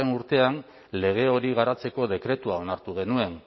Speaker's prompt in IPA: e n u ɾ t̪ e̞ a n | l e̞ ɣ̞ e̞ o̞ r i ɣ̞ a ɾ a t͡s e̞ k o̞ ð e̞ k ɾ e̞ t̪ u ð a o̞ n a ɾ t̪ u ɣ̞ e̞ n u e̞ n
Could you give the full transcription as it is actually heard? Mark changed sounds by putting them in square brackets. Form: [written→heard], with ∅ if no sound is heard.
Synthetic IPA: e n u ɾ t̪ e̞ a n | l e̞ ɣ̞ e̞ o̞ [r→ɾ] i ɣ̞ a ɾ a t͡s e̞ k o̞ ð e̞ k ɾ e̞ t̪ u [ð→∅] a o̞ n a ɾ t̪ u ɣ̞ e̞ n u e̞ n